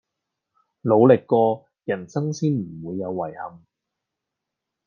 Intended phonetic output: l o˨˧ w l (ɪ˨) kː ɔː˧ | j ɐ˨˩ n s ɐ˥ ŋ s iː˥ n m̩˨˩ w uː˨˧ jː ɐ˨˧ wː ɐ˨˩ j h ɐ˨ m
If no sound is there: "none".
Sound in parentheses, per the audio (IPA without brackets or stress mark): ɪ˨